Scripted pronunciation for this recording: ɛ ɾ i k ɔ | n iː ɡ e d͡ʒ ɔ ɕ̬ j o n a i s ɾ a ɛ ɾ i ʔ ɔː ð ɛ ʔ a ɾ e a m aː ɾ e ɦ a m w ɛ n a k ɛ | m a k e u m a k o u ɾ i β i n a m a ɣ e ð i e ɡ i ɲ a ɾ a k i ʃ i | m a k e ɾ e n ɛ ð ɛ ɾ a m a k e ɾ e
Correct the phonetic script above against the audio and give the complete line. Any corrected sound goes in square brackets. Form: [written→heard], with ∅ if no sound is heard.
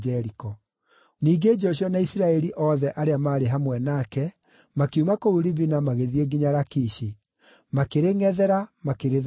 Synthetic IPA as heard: ɛ ɾ i k ɔ | n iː ɡ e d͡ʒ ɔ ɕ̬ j [o→ɔ] n a i s ɾ a ɛ ɾ i ʔ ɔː ð ɛ ʔ a ɾ e a m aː ɾ e ɦ a m w ɛ n a k ɛ | m a k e u m a k o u ɾ i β i n a m a ɣ e ð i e ɡ i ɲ a ɾ a k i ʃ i | m a k e ɾ e [n→ŋ] ɛ ð ɛ ɾ a m a k e ɾ e